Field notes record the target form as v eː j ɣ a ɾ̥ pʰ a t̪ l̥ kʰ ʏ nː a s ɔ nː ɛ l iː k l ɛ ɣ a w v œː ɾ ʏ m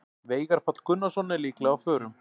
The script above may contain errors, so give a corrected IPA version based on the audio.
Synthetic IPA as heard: v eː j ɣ a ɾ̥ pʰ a t̪ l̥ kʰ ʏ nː a s ɔ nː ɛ l iː k l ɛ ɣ a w f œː ɾ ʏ m